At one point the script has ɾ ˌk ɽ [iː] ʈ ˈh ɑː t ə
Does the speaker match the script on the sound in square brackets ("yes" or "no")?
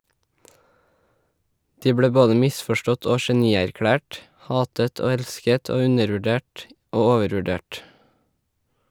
no